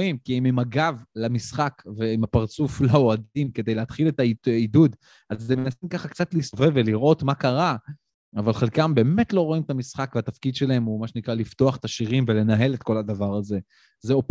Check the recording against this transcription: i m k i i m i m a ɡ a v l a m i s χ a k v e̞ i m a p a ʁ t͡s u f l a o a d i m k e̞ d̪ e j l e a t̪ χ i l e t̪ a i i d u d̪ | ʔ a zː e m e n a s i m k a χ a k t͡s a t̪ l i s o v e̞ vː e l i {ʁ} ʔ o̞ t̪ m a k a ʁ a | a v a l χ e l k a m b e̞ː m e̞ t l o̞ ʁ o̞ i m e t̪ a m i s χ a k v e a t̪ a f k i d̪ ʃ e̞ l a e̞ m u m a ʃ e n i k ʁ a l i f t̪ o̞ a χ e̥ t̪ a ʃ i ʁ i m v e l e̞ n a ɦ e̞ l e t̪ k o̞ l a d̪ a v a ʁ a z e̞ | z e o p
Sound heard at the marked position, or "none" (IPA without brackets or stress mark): ʁ